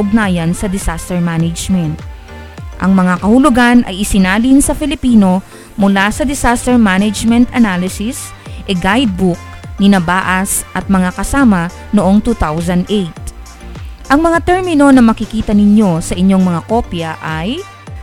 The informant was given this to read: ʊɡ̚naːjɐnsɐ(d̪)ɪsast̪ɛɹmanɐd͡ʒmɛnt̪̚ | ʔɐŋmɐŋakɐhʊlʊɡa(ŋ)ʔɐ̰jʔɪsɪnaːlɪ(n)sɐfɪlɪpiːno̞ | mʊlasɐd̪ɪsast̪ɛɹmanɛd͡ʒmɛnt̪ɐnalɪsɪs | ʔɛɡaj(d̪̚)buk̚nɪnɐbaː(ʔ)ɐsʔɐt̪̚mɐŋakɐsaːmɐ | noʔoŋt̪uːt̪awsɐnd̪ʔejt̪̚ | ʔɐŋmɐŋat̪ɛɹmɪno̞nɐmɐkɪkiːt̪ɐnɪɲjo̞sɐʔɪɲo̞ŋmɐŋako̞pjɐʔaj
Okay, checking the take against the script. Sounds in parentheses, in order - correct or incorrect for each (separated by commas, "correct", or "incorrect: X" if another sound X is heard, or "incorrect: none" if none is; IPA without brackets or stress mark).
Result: correct, incorrect: n, correct, correct, correct